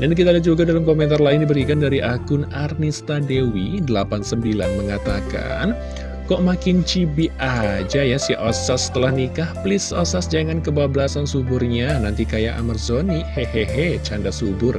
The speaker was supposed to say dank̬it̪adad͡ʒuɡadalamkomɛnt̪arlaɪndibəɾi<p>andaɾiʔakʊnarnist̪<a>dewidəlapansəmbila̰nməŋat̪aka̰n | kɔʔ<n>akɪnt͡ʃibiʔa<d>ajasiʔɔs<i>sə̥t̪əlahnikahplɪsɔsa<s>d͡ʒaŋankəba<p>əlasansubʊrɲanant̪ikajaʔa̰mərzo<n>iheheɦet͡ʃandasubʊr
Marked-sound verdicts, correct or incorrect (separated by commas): incorrect, correct, incorrect, incorrect, incorrect, correct, incorrect, correct